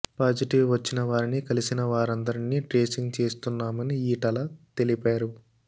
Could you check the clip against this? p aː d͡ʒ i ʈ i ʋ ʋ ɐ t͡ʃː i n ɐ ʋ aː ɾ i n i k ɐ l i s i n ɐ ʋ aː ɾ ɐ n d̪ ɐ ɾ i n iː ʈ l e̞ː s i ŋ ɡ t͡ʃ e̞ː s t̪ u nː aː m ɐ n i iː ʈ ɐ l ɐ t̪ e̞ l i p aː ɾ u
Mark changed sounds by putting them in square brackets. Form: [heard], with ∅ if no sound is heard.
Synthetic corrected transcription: p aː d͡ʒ i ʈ i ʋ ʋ ɐ t͡ʃː i n ɐ ʋ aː ɾ i n i k ɐ l i s i n ɐ ʋ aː ɾ ɐ n d̪ ɐ ɾ i n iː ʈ [ɾ] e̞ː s i ŋ ɡ t͡ʃ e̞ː s t̪ u nː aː m ɐ n i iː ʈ ɐ l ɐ t̪ e̞ l i p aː ɾ u